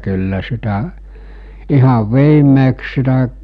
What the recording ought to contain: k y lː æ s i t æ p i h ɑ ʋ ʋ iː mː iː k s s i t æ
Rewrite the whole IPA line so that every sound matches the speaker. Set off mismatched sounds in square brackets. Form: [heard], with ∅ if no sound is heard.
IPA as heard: k y lː æ s i t æ [ʔ] i h ɑ ʋ ʋ iː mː [eː] k s s i t æ